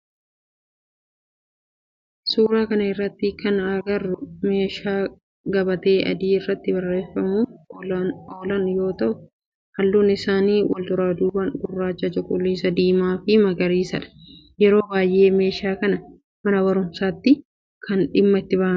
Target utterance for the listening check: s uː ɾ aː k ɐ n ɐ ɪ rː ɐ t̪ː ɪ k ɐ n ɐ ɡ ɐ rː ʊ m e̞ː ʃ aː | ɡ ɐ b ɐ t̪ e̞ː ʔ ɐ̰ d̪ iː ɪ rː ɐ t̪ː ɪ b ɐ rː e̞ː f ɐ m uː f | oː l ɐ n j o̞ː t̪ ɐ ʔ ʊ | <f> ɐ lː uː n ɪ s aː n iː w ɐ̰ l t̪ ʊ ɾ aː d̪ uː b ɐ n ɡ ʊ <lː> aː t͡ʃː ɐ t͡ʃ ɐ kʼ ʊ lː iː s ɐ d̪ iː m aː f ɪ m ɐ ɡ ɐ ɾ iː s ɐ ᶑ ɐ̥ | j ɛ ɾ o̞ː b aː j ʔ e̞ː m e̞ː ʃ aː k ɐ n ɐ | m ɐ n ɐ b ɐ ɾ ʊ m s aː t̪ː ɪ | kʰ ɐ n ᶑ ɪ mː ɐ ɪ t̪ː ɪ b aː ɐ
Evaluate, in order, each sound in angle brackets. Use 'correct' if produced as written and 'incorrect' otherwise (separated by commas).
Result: incorrect, incorrect